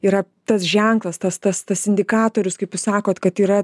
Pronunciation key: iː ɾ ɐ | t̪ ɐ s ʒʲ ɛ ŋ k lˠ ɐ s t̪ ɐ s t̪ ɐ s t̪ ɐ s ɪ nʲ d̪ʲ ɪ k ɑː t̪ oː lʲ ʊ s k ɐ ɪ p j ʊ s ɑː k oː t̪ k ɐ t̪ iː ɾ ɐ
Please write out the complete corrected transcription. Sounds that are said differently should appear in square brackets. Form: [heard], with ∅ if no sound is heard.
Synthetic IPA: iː ɾ ɐ | t̪ ɐ s ʒʲ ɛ ŋ k lˠ ɐ s t̪ ɐ s t̪ ɐ s t̪ ɐ s ɪ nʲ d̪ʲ ɪ k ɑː t̪ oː [ɾʲ] ʊ s k ɐ ɪ p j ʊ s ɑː k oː t̪ k ɐ t̪ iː ɾ ɐ